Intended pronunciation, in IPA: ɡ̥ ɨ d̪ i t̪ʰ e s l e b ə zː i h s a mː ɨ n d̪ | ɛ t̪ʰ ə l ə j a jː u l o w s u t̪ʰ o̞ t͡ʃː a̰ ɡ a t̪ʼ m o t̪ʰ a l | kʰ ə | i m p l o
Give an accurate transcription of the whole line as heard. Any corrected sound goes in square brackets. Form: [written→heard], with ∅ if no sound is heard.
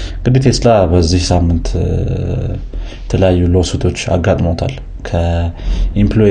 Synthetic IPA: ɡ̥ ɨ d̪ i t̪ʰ e s l [e→a] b ə zː i h s a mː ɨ n [d̪→t̪] | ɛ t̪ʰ ə l ə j a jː u l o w s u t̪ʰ o̞ t͡ʃː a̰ ɡ a t̪ʼ m o t̪ʰ a l | kʰ ə | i m p l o